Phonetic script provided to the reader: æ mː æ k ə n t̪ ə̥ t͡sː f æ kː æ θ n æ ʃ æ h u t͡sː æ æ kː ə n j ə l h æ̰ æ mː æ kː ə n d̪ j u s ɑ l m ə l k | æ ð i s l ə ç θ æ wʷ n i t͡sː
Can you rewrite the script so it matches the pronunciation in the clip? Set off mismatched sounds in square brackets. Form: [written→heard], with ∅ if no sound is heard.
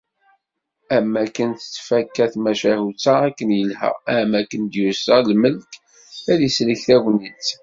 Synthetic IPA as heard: æ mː æ k ə n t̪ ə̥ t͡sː f æ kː æ θ [n→m] æ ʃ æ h u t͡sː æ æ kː ə n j ə l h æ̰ æ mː æ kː ə n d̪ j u s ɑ l m ə l k | æ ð i s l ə ç θ æ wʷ n i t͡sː